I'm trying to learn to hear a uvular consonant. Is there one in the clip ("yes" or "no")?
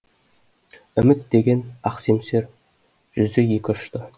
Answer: yes